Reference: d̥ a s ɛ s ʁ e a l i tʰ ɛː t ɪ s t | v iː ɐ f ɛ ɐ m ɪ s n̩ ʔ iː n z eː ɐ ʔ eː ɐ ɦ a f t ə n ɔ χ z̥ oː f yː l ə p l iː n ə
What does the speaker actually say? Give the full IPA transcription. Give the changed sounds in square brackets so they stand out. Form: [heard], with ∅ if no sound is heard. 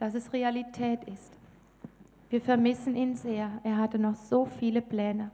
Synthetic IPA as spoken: d̥ a s ɛ s ʁ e a l i tʰ ɛː t ɪ s t | v iː ɐ f ɛ ɐ m ɪ s n̩ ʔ iː n z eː ɐ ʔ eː ɐ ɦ a [∅] t ə n ɔ χ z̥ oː f [iː] l ə p l [ɛː] n ə